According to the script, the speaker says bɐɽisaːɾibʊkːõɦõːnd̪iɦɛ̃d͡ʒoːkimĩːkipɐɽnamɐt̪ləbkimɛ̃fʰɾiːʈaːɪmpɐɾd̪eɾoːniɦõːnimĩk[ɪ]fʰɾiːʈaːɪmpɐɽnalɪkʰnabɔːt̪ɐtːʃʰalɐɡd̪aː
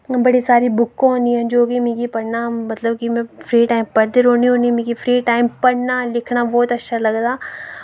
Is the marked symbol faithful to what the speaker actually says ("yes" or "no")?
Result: no